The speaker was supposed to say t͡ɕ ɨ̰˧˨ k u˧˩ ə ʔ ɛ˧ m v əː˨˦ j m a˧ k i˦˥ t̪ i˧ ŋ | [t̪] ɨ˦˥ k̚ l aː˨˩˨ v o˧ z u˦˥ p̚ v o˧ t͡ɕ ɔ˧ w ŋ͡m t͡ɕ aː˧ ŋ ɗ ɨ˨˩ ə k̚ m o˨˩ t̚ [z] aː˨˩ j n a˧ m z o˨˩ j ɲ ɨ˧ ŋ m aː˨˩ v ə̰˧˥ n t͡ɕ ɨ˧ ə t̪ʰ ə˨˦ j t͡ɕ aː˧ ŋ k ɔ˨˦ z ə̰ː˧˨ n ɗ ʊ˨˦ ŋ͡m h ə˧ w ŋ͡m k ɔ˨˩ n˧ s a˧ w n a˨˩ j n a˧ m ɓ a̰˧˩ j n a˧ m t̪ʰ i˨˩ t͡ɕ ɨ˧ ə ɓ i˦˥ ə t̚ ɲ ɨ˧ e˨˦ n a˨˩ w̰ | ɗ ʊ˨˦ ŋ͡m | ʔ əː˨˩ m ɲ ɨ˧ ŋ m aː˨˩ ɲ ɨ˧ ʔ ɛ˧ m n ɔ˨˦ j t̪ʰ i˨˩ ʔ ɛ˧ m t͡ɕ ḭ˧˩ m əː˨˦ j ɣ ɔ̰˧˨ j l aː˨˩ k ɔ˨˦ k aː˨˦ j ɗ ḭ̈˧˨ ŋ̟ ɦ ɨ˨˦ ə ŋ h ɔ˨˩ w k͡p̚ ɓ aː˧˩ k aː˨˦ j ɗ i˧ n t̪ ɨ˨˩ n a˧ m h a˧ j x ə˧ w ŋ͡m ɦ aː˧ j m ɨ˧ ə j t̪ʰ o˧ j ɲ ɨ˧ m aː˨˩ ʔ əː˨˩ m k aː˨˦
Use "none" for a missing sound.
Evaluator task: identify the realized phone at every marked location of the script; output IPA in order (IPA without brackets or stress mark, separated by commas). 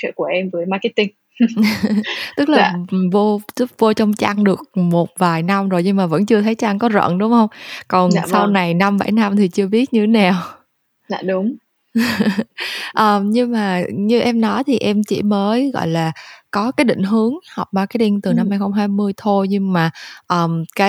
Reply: t̪, v